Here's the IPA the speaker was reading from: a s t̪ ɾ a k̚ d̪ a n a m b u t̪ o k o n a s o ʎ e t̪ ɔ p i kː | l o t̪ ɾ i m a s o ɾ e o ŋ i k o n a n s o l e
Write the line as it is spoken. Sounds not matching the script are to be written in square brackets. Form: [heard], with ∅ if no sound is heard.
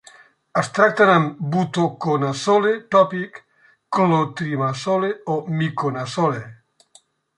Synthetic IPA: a s t̪ ɾ a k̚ [t̪] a n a m b u t̪ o k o n a s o [l] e t̪ ɔ p i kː | l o t̪ ɾ i m a s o [l] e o [m] i k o n a [∅] s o l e

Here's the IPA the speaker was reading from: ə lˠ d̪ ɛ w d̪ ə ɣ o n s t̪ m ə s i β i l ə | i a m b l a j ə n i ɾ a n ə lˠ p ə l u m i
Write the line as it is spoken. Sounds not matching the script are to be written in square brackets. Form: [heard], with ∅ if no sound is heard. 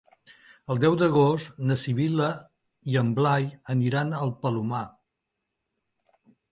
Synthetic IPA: ə lˠ d̪ ɛ w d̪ ə ɣ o [∅] s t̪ [n] ə s i β i l ə | i [ə] m b l a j ə n i ɾ a n ə lˠ p ə l u m [a]

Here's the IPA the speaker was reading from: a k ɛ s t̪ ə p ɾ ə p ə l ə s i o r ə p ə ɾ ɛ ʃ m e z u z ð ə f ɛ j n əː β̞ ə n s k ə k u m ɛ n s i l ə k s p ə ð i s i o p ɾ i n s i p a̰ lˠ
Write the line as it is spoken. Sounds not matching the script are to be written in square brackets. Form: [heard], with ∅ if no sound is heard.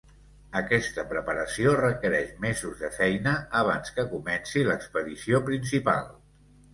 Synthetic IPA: [ə] k ɛ s t̪ ə p ɾ ə p ə [ɾ] ə s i o r ə [k] ə ɾ ɛ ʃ m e z u z ð ə f ɛ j n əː β̞ [a] n s k ə k u m ɛ n s i l ə k s p ə ð i s i o p ɾ i n s i p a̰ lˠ

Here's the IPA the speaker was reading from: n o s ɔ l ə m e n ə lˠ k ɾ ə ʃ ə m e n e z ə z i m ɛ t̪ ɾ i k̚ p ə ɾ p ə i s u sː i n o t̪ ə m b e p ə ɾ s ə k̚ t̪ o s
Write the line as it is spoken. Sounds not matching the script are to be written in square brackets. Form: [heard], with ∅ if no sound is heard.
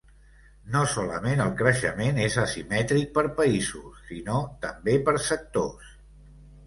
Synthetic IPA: n o s ɔ l ə m e n ə lˠ k ɾ ə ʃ ə m e n e z ə [s] i m ɛ t̪ ɾ i k̚ p ə ɾ p ə i [z] u sː i n o t̪ ə m b e p ə ɾ s ə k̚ t̪ o s

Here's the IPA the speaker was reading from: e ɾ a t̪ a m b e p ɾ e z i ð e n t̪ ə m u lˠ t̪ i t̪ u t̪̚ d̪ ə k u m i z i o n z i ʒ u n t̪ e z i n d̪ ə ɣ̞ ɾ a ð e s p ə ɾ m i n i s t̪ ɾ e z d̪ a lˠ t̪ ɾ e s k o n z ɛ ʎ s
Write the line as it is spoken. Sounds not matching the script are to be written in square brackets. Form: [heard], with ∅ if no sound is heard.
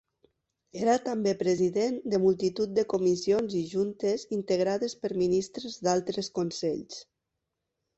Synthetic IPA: e ɾ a t̪ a m b e p ɾ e z i ð e n [d̪] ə m u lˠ t̪ i t̪ u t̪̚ d̪ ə k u m i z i o n z i ʒ u n t̪ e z i n [t̪] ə ɣ̞ ɾ a ð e s p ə ɾ m i n i s t̪ ɾ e z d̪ a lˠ t̪ ɾ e s k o n [s] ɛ ʎ s

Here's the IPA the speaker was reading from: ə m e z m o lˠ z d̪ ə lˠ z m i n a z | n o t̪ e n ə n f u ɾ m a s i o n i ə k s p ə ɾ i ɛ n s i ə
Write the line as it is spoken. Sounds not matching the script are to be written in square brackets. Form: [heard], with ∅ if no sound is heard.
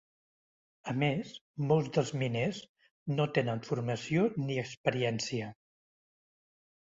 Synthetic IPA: ə m e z m o lˠ z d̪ ə lˠ z m i n [e] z | n o t̪ e n ə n f u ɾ m [ə] s i o n i ə k s p ə ɾ i ɛ n s i ə

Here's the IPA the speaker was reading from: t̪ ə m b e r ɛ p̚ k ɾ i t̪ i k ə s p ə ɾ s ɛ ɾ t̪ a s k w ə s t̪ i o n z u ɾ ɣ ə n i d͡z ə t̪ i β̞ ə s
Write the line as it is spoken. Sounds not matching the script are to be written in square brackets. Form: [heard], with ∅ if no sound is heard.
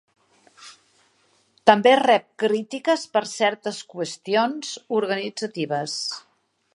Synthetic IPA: t̪ ə m b e r ɛ p̚ k ɾ i t̪ i k ə s p ə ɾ s ɛ ɾ t̪ [ə] s k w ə s t̪ i o n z u ɾ ɣ ə n i d͡z ə t̪ i β̞ ə s

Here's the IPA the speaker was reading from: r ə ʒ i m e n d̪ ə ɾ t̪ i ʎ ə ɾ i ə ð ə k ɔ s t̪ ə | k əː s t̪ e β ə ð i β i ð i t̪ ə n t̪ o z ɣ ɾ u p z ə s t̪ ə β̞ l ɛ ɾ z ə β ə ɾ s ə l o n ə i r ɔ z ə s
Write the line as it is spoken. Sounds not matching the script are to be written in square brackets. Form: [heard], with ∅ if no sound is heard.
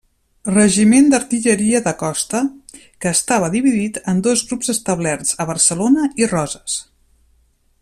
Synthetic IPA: r ə ʒ i m e n d̪ ə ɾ t̪ i ʎ ə ɾ i ə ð ə k ɔ s t̪ ə | k əː s t̪ [a] β ə ð i β i ð i t̪ ə n [d̪] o z ɣ ɾ u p z ə s t̪ ə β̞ l ɛ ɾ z ə β ə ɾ s ə l o n ə i r ɔ z ə s

